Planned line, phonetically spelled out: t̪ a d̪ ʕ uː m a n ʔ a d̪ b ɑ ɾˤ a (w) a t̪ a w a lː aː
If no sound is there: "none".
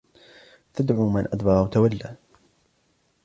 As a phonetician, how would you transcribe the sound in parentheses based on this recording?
w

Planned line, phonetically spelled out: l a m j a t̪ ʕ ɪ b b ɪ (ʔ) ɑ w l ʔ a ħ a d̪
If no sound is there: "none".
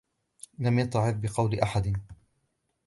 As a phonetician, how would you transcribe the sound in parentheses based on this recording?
q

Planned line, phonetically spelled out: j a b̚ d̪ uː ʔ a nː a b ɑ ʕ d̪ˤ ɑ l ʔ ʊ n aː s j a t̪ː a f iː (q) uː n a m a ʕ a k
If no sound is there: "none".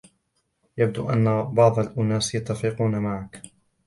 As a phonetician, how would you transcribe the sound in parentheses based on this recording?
q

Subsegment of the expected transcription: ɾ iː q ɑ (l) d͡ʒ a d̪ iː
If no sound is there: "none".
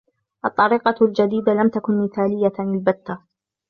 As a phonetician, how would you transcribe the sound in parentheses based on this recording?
l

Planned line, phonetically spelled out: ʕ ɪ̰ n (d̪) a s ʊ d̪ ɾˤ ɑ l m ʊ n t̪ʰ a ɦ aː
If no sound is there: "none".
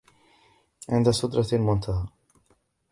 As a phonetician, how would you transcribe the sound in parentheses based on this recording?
d̪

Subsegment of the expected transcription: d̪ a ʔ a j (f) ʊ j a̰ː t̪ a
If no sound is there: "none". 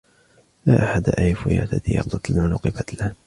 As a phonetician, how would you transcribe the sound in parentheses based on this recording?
f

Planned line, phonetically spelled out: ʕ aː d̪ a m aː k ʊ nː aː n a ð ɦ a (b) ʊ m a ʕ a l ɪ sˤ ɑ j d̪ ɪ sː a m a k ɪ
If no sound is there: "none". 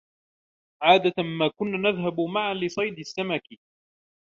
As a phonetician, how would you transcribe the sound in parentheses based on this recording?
b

